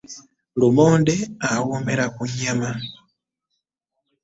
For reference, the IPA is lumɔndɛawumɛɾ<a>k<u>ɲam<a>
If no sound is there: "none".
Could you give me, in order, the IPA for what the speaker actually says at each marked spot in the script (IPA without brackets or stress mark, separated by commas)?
a, u, a